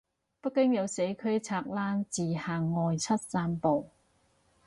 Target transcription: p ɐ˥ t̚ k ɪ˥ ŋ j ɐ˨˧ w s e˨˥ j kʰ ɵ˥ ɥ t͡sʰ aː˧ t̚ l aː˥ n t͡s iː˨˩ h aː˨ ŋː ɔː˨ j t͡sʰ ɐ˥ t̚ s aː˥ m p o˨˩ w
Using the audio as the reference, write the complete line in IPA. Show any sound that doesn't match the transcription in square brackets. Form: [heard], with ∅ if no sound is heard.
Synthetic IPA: p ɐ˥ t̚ k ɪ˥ ŋ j ɐ˨˧ w s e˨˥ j kʰ ɵ˥ ɥ t͡sʰ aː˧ [k̚] l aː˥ n t͡s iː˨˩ h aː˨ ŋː ɔː˨ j t͡sʰ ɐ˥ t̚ s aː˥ m p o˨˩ w